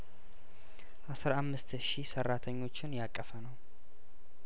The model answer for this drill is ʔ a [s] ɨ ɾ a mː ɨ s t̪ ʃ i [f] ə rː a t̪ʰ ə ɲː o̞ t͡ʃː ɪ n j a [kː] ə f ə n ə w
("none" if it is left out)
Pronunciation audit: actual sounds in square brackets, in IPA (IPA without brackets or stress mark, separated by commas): s, s, kʼː